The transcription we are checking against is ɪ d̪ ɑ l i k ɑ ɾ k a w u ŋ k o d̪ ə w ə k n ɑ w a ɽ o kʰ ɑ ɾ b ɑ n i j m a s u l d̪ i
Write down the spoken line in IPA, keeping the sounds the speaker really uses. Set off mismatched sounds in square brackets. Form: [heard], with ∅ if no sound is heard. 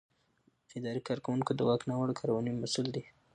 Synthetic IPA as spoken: ɪ d̪ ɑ [ɾ] i k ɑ ɾ k a w u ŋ k o d̪ ə w [ɑ] k n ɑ w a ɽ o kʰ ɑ ɾ [w] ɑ n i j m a s u l d̪ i